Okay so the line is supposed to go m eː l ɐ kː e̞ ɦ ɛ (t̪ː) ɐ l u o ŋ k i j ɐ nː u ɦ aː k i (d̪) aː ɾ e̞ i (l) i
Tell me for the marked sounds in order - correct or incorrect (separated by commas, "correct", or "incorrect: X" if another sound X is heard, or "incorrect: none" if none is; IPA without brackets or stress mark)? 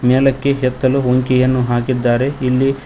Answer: correct, incorrect: d̪ː, incorrect: lː